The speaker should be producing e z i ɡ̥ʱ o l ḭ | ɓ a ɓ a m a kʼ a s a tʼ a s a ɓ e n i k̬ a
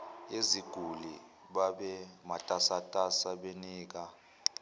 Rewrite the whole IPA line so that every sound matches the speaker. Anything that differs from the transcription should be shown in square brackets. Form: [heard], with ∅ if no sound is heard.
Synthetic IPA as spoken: e z i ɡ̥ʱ [u] l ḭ | ɓ a ɓ [ɛ] m a [tʼ] a s a tʼ a s a ɓ e n [iː] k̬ a